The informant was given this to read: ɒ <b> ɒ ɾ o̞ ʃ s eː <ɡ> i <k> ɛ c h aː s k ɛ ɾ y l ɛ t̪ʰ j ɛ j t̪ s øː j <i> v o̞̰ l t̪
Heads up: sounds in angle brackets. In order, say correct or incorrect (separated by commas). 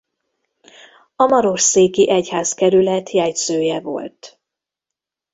incorrect, incorrect, incorrect, incorrect